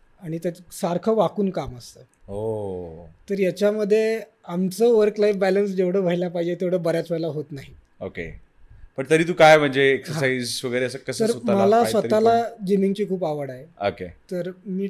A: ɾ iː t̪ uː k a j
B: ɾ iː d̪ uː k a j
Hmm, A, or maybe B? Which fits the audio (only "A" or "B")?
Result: A